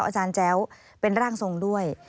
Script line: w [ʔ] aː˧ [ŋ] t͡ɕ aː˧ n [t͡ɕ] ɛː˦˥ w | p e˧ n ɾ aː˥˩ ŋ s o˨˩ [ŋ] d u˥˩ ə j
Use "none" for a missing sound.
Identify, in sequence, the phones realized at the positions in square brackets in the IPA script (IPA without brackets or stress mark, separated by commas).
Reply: ʔ, none, t͡ɕ, ŋ